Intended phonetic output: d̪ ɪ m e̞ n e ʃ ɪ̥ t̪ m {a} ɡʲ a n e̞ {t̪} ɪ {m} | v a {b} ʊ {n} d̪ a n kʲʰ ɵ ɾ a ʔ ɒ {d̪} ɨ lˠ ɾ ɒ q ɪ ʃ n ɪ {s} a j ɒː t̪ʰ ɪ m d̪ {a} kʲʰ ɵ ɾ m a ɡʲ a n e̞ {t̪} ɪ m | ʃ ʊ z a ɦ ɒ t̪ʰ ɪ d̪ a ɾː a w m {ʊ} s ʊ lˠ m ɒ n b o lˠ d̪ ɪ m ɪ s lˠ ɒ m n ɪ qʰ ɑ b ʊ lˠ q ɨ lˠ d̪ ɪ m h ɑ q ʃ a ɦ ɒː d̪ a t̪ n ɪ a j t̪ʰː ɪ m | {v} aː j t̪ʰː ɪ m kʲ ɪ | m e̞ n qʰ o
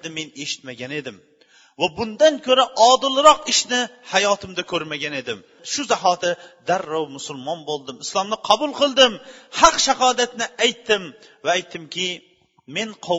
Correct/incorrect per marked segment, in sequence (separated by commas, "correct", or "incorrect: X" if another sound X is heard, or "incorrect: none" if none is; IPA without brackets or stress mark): correct, incorrect: d̪, correct, correct, correct, correct, incorrect: h, correct, incorrect: d̪, correct, correct